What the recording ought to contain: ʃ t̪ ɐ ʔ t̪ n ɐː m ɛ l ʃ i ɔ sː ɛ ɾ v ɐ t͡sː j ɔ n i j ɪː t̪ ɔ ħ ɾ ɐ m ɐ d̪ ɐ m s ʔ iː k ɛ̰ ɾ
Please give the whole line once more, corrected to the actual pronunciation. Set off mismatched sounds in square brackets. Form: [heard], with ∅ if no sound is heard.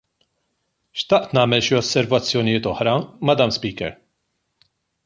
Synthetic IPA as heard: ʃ t̪ ɐ ʔ t̪ n ɐː m ɛ l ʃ i ɔ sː ɛ ɾ v ɐ t͡sː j ɔ n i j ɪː t̪ ɔ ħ ɾ ɐ m ɐ d̪ ɐ m s [p] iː k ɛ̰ ɾ